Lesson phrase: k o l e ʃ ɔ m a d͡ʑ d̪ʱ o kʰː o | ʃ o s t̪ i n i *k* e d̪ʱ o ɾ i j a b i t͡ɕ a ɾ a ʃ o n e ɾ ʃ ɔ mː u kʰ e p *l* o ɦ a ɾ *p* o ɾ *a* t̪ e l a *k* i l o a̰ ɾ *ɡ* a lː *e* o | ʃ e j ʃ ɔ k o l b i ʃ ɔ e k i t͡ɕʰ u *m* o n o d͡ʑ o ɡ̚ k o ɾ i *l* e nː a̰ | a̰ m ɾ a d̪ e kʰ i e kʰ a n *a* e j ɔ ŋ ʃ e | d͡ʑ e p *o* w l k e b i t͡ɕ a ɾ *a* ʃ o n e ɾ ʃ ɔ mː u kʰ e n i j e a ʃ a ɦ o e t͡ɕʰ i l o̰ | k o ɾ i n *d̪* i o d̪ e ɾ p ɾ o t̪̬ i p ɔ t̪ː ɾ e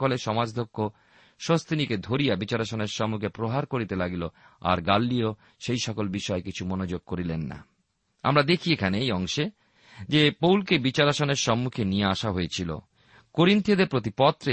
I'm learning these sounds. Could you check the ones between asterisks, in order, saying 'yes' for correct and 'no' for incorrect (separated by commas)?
yes, no, no, no, no, yes, no, yes, yes, no, yes, yes, no